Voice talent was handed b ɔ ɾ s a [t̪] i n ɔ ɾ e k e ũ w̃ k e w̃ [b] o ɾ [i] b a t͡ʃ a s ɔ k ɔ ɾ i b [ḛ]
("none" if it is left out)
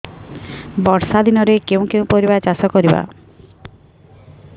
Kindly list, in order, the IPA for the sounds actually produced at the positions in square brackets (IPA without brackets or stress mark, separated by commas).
d̪, p, i, a̰